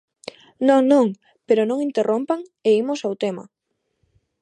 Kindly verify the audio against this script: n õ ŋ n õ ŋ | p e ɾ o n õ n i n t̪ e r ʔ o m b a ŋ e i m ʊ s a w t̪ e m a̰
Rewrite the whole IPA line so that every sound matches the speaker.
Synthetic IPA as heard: n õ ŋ n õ ŋ | p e ɾ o n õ ŋ i n t̪ e r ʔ o m p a ŋ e i m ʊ s a w t̪ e m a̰